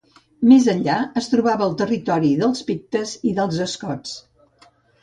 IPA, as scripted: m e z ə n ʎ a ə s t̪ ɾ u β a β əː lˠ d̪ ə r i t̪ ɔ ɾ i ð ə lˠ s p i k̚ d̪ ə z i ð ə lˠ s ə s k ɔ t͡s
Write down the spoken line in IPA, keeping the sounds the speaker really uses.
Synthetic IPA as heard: m e z ə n ʎ a ə s t̪ ɾ u β a β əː lˠ t̪ ə r i t̪ ɔ ɾ i ð ə lˠ s p i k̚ t̪ ə z i ð ə lˠ z ə s k ɔ t͡s